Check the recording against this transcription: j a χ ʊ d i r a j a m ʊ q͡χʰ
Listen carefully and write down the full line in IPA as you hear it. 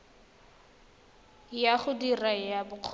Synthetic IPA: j a χ ʊ d i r a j a b ʊ q͡χʰ